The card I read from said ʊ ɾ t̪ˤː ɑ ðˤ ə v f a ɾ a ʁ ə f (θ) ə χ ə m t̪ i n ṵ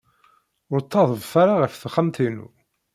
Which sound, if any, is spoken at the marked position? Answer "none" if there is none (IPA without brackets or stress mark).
θ